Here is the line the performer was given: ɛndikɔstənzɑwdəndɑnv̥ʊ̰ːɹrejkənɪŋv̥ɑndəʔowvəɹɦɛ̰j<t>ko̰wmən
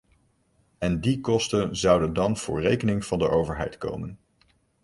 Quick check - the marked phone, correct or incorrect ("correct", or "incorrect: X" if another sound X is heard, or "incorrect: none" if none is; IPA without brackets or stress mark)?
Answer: correct